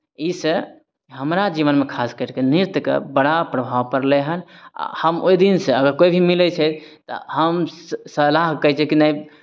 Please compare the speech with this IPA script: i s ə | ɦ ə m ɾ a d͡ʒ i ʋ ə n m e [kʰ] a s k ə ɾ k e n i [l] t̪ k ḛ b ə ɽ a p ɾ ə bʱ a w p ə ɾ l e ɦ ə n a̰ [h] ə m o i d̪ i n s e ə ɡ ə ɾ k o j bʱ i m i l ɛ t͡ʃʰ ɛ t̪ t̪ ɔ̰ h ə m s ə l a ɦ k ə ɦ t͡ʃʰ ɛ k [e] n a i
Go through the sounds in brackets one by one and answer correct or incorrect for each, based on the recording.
correct, incorrect: ɾ, correct, incorrect: i

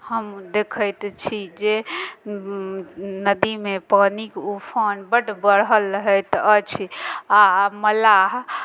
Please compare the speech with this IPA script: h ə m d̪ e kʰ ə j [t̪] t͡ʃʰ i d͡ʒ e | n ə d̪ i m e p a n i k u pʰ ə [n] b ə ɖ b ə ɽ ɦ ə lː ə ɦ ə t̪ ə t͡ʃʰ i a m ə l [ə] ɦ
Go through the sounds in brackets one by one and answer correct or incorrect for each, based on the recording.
correct, correct, incorrect: a

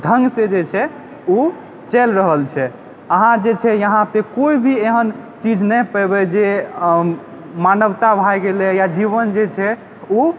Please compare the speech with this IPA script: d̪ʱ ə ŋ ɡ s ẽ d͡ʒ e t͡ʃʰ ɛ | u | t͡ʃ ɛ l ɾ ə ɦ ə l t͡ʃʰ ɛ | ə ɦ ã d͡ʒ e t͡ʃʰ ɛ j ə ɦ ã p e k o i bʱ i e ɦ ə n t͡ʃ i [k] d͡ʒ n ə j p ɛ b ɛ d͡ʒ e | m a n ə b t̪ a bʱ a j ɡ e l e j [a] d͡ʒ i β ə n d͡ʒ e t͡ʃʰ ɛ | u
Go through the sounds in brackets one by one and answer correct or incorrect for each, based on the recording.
incorrect: none, correct

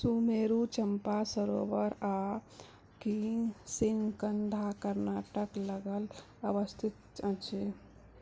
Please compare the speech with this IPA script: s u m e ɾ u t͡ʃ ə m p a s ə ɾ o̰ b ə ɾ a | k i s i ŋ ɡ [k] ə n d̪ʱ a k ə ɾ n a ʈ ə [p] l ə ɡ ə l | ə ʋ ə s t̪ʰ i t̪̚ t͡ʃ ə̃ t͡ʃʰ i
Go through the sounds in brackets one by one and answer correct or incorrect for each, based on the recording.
correct, incorrect: k

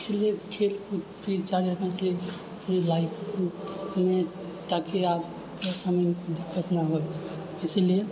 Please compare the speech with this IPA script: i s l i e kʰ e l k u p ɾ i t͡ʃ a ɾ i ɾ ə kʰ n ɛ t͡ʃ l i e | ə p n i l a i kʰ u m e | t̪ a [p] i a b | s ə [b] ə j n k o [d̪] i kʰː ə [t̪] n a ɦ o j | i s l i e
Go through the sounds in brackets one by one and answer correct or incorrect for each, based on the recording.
incorrect: k, incorrect: m, correct, correct

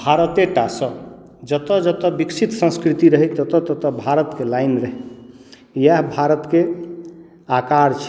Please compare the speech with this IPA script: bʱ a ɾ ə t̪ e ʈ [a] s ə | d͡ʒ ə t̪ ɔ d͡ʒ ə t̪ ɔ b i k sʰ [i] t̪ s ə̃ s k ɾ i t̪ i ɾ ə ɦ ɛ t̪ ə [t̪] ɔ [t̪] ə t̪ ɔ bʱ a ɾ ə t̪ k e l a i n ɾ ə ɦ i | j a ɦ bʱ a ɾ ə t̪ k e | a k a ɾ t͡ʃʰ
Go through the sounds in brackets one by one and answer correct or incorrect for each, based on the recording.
correct, correct, correct, correct

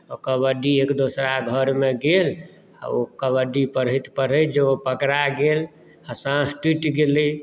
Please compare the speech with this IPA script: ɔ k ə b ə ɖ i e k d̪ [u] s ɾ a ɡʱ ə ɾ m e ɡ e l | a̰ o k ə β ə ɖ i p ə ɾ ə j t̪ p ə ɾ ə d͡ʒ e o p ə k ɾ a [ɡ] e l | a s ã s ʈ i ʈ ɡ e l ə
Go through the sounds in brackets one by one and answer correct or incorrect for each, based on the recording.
incorrect: o, correct

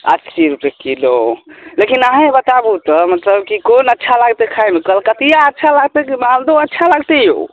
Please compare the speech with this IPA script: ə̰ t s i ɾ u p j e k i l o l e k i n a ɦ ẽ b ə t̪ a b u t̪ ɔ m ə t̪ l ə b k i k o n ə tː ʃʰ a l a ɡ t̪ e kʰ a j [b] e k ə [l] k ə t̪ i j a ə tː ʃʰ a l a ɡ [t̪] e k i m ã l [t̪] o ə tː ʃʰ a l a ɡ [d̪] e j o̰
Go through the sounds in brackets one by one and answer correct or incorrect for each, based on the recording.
incorrect: m, correct, correct, incorrect: d̪, incorrect: t̪

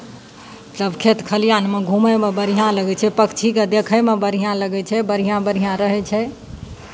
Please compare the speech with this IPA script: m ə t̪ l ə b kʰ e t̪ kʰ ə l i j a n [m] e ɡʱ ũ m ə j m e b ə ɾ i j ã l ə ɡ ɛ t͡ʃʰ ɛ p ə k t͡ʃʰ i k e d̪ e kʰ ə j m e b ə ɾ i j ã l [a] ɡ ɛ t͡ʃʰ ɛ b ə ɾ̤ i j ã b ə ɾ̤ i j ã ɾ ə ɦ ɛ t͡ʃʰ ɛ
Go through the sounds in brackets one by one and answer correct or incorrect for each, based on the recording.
correct, incorrect: ə

